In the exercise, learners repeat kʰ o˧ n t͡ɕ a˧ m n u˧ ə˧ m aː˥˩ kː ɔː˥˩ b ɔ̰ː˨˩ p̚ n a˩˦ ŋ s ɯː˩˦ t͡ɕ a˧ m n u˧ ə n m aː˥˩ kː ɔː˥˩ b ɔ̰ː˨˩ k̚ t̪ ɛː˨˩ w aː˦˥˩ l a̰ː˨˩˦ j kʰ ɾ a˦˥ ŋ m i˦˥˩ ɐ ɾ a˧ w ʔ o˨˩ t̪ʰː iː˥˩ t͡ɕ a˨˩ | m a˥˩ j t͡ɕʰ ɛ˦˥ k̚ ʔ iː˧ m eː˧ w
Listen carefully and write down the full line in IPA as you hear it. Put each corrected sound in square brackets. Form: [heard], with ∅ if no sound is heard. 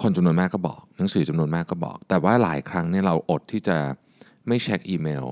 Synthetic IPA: kʰ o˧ n t͡ɕ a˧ m n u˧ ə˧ m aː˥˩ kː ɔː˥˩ b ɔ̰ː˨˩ [k̚] n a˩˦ ŋ s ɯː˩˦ t͡ɕ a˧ m n u˧ ə n m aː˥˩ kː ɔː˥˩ b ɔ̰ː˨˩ k̚ t̪ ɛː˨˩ w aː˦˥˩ l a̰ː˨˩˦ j kʰ ɾ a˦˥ ŋ [n] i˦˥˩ ɐ ɾ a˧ w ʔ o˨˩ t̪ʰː iː˥˩ t͡ɕ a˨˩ | m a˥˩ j t͡ɕʰ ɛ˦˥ k̚ ʔ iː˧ m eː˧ w